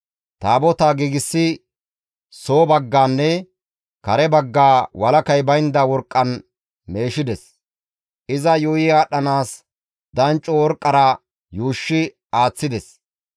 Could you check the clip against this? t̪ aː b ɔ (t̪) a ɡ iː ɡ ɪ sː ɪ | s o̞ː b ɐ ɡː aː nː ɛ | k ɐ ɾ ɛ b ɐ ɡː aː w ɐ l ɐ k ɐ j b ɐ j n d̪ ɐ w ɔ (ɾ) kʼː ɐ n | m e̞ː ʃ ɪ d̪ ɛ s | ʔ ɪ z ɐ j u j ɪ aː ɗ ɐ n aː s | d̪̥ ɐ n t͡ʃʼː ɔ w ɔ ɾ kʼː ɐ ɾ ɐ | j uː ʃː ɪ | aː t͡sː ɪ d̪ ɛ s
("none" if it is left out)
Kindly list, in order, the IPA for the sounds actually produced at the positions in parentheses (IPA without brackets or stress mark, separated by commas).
t̪, ɾ